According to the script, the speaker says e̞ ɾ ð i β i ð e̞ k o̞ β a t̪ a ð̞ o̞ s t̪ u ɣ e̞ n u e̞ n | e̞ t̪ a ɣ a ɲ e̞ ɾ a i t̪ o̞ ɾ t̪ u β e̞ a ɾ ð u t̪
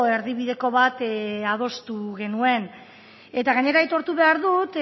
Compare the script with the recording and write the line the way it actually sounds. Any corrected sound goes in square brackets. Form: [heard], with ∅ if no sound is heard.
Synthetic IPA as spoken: e̞ ɾ ð i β i ð e̞ k o̞ β a t̪ a ð̞ o̞ s t̪ u ɣ e̞ n u e̞ n | e̞ t̪ a ɣ a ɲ e̞ ɾ a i t̪ o̞ ɾ t̪ u β e̞ a ɾ ð u t̪